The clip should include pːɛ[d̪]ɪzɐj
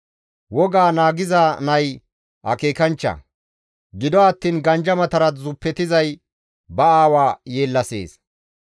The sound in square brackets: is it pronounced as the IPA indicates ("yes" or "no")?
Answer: no